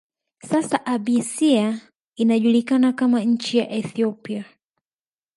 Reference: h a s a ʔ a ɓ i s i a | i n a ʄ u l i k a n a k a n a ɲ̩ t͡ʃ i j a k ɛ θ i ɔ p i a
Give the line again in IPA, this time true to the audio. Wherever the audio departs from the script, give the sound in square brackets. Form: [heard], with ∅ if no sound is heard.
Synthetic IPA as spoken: [s] a s a ʔ a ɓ i s i a | i n a ʄ u l i k a n a k a [m] a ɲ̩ t͡ʃ i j a [ʔ] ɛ θ i ɔ p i a